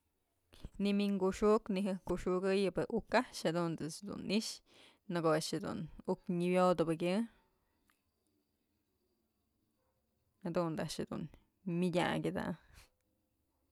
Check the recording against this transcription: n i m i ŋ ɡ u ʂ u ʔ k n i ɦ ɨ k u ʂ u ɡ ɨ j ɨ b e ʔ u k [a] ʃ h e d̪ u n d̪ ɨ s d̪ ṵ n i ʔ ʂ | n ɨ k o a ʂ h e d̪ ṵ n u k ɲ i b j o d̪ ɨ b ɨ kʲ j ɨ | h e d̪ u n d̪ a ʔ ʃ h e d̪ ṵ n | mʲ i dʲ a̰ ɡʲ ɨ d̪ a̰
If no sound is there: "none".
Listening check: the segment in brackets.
a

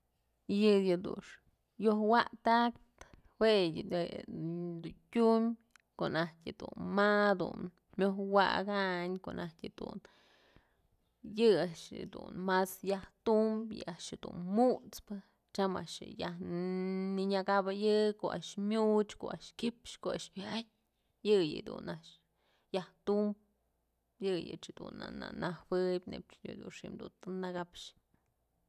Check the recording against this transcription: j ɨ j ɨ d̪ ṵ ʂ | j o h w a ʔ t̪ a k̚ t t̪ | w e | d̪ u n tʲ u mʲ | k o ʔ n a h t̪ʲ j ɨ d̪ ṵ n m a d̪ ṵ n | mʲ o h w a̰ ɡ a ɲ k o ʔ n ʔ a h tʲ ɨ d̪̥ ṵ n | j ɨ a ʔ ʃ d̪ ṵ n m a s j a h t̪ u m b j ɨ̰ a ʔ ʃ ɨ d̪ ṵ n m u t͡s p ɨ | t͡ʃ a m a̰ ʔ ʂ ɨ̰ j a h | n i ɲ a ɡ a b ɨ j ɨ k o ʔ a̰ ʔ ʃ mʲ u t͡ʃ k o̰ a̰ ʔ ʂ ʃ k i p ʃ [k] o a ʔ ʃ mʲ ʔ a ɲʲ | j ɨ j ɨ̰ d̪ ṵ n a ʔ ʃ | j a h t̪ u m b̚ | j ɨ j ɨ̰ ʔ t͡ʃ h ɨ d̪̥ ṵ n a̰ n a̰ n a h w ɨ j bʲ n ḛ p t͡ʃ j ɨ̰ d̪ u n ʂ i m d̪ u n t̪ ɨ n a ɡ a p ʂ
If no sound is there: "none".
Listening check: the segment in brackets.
k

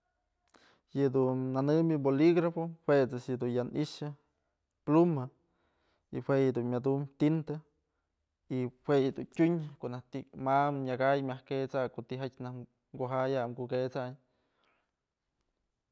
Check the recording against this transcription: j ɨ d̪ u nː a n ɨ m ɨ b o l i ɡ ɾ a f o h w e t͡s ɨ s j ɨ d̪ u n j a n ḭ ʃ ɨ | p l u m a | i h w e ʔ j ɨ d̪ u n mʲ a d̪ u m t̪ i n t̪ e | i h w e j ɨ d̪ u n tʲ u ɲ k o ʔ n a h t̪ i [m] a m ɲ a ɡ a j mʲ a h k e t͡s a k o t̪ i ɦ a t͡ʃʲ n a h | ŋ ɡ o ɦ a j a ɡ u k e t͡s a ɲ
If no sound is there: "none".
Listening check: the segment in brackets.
m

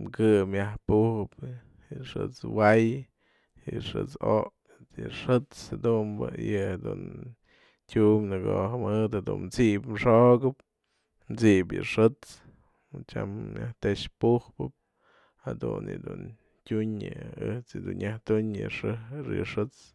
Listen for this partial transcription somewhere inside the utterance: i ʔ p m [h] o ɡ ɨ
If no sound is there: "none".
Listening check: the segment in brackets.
ʂ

